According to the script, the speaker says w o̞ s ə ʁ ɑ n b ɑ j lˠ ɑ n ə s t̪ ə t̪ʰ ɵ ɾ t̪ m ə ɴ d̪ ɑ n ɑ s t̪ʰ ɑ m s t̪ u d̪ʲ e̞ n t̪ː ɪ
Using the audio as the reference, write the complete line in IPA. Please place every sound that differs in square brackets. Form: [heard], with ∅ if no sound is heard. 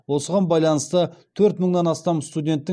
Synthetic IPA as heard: w o̞ s ə ʁ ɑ n b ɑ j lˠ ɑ n ə s t̪ ə t̪ʰ ɵ ɾ t̪ m ə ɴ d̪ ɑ n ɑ s [t̪] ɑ m s t̪ u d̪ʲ e̞ n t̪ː ɪ